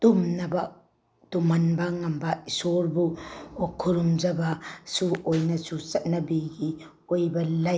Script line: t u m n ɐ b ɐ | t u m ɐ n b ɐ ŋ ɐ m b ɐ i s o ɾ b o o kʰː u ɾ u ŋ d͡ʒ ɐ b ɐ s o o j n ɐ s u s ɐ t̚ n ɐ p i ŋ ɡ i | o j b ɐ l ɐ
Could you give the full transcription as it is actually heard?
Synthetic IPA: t u m n ɐ b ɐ | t u m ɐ n b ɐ ŋ ɐ m b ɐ i s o ɾ b u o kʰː u ɾ u m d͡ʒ ɐ b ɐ s u o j n ɐ s u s ɐ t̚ n ɐ b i ɡ i | o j b ɐ l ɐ